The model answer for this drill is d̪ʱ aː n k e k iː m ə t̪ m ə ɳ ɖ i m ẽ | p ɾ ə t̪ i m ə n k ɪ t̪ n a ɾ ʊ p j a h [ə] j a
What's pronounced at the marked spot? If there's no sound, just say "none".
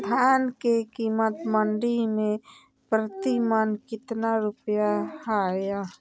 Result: a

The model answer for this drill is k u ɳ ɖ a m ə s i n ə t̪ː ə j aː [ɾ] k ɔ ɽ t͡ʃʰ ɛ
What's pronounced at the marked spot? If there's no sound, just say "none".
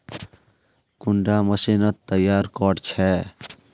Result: ɾ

